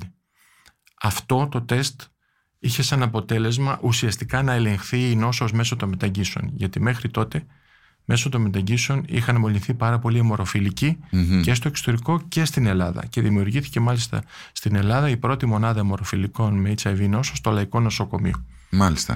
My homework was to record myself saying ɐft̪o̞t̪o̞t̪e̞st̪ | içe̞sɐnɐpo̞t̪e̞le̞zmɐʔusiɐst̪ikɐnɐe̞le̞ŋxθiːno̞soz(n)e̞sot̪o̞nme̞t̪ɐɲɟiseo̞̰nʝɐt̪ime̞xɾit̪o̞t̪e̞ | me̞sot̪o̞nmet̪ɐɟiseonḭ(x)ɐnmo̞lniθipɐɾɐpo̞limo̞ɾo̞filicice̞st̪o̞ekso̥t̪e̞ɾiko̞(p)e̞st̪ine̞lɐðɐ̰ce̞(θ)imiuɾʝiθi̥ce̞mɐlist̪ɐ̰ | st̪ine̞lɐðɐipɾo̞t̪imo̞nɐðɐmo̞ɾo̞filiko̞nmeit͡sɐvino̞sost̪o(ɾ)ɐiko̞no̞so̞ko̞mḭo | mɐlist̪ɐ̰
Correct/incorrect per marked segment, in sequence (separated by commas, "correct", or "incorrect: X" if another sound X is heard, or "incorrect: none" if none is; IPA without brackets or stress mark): incorrect: m, correct, incorrect: c, incorrect: ð, incorrect: l